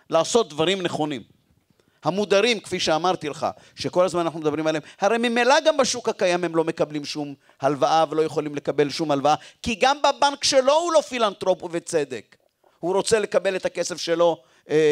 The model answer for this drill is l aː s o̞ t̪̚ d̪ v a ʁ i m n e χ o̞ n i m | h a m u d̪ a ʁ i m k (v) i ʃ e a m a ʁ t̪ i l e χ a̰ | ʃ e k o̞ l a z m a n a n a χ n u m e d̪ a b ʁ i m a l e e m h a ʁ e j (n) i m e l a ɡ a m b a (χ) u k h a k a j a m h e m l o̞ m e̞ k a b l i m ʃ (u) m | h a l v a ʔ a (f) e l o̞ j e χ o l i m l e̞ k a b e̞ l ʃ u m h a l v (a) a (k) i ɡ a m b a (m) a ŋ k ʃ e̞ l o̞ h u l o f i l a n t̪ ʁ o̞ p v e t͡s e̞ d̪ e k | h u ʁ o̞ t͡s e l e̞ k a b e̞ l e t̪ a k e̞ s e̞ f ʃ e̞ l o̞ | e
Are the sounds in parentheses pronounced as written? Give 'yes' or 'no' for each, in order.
no, no, no, yes, no, yes, yes, no

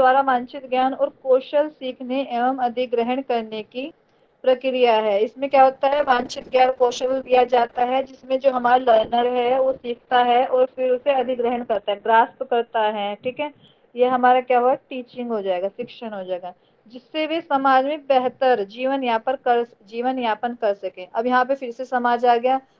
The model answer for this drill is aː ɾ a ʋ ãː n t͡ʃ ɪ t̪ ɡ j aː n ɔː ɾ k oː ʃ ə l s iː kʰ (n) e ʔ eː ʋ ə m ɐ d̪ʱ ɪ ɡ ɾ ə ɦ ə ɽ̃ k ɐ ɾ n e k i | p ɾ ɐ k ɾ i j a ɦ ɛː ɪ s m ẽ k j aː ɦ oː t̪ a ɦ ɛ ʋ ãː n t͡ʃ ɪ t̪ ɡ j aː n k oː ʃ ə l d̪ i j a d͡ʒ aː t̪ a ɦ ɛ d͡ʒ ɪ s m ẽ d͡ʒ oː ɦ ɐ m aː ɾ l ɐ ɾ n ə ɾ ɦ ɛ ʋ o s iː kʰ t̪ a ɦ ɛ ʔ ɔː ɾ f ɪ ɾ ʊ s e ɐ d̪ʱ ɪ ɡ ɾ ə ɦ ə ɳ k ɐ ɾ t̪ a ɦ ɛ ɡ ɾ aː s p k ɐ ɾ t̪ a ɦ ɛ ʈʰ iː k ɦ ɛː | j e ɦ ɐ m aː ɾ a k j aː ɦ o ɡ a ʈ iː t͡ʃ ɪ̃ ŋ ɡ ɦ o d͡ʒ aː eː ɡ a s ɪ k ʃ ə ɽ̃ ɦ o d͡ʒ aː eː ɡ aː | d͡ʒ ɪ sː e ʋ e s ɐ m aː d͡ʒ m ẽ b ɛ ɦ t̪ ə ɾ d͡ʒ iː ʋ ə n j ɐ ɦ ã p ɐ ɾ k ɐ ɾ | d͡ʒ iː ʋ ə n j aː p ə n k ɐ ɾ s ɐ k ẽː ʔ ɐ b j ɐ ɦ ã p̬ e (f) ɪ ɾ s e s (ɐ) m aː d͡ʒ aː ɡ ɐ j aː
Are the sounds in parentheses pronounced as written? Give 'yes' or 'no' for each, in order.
yes, yes, yes

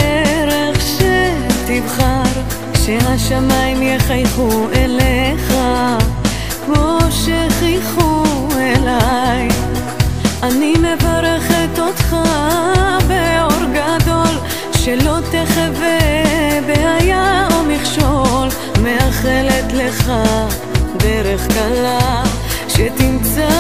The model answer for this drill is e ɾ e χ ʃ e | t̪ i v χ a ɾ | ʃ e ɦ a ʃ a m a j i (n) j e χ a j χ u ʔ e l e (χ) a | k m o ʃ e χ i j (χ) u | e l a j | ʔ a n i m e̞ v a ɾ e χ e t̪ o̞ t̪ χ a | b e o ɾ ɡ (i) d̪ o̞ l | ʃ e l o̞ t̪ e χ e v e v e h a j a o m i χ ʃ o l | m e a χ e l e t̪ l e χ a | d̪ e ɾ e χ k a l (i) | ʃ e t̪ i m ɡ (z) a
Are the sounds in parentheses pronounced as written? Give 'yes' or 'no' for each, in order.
no, yes, yes, no, no, yes

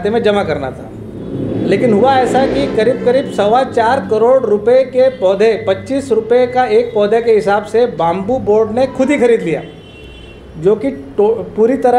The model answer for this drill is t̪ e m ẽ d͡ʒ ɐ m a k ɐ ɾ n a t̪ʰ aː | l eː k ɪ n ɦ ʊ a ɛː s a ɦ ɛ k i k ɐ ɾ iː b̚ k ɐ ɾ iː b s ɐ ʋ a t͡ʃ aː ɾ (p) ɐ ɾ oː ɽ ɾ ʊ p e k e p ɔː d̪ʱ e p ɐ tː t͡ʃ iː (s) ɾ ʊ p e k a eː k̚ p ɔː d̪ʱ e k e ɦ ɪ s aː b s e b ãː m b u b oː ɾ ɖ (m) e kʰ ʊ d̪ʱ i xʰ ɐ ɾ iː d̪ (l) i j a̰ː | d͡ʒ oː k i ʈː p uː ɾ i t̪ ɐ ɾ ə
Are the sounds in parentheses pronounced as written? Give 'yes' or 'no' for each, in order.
no, yes, no, yes

